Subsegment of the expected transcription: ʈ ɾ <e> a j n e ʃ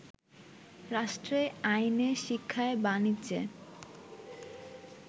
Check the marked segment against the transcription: correct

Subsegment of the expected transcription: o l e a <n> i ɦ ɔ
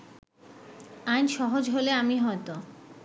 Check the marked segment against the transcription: incorrect: m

